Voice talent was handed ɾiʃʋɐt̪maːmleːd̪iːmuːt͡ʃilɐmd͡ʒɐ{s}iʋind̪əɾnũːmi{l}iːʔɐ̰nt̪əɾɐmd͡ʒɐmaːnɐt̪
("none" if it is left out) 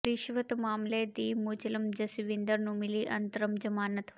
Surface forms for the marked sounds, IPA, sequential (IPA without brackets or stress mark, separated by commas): s, l